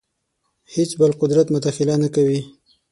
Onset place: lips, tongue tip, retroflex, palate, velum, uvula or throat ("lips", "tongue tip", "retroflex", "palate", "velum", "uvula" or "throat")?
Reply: throat